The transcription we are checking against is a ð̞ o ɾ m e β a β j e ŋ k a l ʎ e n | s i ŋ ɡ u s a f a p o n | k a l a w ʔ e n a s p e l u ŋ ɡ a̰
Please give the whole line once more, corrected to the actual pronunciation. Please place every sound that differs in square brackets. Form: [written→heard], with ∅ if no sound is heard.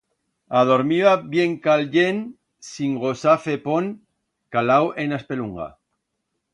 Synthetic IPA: a ð̞ o ɾ m [e→i] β a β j e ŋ k a l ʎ e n | s i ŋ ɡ [u→o] s a f [a→e] p o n | k a l a w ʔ e n a s p e l u ŋ ɡ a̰